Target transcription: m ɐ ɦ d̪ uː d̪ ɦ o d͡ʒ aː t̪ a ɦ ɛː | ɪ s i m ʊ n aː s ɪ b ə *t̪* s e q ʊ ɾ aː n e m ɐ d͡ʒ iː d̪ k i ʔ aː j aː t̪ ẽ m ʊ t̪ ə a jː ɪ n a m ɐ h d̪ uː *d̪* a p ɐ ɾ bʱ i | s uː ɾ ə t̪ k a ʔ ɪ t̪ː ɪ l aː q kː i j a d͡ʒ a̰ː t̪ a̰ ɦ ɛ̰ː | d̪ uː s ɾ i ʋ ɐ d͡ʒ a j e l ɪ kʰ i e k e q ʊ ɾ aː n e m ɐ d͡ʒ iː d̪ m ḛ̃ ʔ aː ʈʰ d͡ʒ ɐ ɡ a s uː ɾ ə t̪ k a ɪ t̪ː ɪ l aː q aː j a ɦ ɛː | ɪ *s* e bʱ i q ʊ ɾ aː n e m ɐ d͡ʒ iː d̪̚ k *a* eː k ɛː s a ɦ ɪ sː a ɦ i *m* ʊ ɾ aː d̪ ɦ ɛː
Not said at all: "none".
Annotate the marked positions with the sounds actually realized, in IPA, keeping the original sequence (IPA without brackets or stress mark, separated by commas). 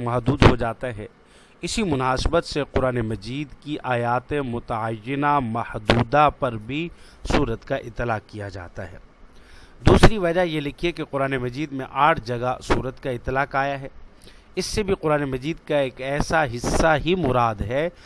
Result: t̪, d̪, sː, a, m